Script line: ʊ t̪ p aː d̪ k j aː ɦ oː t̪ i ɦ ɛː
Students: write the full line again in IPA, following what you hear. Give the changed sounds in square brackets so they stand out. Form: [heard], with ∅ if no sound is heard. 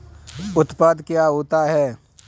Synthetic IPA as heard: ʊ t̪ p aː d̪ k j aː ɦ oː t̪ [a] ɦ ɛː